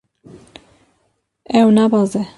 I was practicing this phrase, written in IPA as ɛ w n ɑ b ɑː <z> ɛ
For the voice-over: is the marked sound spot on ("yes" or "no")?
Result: yes